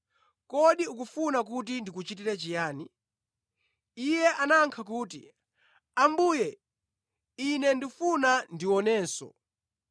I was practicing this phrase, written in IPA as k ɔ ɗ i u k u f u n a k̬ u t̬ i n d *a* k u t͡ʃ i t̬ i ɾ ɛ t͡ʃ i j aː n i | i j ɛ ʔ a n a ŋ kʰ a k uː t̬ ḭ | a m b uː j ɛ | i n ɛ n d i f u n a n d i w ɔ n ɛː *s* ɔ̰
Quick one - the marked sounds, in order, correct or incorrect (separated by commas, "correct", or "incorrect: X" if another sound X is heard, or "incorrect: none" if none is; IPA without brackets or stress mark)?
incorrect: i, correct